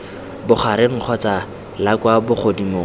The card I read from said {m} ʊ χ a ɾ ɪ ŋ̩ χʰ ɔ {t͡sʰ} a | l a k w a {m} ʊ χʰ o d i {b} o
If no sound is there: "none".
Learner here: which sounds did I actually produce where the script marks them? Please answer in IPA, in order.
b, t͡s, b, m

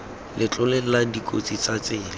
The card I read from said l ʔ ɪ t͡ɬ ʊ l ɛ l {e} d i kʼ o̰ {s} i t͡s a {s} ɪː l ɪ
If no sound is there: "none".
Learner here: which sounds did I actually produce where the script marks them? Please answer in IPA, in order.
a, t͡s, t͡s

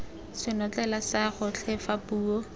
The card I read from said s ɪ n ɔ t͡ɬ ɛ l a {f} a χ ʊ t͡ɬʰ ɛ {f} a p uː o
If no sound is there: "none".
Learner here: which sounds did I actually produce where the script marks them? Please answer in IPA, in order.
s, f

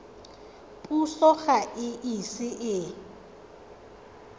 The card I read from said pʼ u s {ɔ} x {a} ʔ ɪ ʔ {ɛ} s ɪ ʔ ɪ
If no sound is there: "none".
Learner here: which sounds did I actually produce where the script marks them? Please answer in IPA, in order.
ɔ, a, i

